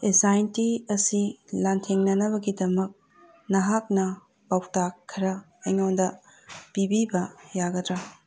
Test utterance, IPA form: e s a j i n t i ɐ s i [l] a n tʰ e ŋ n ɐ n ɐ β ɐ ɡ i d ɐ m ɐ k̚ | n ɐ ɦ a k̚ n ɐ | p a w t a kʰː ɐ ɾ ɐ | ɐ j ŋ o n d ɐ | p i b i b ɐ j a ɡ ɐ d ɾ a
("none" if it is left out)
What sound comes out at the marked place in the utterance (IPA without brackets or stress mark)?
l